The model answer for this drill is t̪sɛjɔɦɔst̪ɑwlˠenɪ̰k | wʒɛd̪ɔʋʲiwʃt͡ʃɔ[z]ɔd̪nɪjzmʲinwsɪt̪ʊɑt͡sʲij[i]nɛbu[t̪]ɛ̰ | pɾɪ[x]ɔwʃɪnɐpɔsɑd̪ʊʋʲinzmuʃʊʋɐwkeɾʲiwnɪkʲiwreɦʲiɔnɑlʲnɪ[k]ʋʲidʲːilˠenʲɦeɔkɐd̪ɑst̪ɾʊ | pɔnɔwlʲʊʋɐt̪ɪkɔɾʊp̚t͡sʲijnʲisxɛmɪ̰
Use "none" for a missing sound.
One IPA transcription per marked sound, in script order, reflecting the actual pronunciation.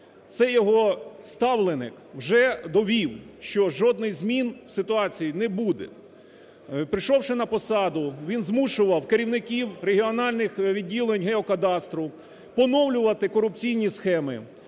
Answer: ʒ, i, d̪, ʃ, x

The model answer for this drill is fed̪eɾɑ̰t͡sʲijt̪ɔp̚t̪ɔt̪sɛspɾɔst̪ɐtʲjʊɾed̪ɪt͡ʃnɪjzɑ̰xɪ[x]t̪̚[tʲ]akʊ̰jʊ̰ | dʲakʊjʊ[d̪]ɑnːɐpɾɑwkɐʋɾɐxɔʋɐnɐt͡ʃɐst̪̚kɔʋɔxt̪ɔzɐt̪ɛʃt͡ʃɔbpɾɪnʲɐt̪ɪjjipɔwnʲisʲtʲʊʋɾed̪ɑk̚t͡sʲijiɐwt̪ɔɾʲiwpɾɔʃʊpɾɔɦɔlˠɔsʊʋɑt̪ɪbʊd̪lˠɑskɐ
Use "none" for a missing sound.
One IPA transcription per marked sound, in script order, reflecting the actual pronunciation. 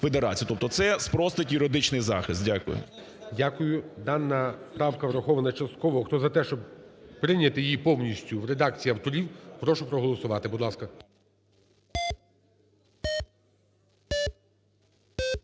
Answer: s, dʲ, d̪

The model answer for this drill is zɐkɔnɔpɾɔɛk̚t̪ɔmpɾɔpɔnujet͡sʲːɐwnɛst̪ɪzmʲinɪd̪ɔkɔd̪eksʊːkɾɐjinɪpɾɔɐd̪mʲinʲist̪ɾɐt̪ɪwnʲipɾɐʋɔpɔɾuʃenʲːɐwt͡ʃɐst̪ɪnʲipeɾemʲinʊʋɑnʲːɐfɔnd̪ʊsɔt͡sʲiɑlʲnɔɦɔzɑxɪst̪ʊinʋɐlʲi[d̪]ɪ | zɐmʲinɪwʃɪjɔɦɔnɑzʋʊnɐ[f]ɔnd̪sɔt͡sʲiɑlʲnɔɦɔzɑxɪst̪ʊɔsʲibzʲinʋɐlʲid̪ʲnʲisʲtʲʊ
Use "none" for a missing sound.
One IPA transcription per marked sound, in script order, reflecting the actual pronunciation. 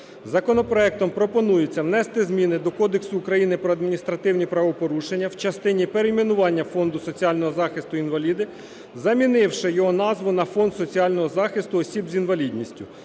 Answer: d̪, f

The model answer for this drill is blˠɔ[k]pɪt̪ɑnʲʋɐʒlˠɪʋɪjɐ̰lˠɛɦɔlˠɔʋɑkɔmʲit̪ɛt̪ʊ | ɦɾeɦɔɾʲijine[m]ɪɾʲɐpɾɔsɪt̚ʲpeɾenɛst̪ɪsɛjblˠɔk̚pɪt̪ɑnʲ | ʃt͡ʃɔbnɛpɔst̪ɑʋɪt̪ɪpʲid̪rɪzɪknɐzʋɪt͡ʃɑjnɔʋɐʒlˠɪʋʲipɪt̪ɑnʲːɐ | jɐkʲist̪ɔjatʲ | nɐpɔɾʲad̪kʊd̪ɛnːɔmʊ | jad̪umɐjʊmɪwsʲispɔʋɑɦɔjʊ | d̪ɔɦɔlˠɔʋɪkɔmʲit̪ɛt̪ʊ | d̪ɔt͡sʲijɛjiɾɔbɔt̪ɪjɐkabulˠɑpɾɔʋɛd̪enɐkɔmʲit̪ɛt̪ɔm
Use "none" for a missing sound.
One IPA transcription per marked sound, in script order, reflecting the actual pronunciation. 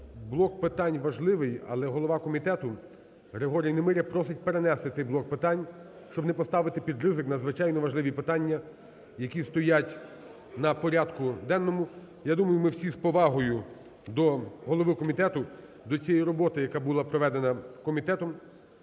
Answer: k, m

